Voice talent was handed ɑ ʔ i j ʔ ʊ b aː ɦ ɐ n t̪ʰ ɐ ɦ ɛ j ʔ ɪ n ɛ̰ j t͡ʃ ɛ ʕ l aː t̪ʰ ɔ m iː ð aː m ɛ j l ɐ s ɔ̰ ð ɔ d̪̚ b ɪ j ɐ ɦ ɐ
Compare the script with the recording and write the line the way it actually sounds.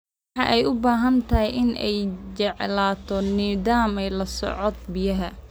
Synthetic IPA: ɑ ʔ ɛ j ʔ ʊ b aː ɦ ɐ n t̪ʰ ɐ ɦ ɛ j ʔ ɪ n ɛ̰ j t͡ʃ ɛ ʕ l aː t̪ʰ ɔ n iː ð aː m ɛ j l ɐ s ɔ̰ ʕ ɔ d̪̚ b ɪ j ɐ ɦ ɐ